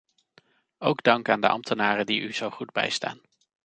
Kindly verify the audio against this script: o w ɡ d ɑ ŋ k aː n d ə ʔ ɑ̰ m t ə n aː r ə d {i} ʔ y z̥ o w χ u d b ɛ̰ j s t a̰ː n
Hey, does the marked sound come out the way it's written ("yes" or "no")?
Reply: yes